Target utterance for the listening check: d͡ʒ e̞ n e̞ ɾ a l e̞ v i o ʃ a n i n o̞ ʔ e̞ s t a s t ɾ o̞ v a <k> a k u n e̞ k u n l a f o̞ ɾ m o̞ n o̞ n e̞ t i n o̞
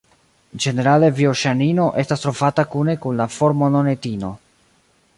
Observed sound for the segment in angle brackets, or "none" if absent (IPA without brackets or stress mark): t